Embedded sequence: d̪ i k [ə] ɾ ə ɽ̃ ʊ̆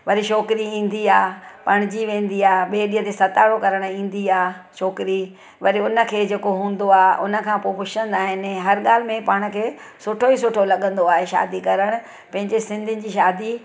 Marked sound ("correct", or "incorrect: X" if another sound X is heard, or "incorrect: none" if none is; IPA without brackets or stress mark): incorrect: ɐ